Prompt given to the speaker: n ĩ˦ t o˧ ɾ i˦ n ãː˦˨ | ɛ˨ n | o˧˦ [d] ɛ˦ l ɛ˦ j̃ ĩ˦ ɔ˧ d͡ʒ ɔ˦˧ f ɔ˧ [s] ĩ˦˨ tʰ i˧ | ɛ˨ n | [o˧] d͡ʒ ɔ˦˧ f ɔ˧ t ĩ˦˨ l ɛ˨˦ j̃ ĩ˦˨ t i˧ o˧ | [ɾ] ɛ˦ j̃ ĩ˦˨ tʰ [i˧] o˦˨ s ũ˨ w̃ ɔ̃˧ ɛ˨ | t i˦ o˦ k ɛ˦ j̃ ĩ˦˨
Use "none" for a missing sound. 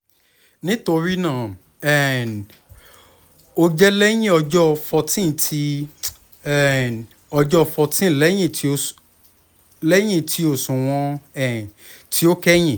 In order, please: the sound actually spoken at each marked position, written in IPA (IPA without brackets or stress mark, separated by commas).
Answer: d͡ʒ, t, ɔ˧, l, i˧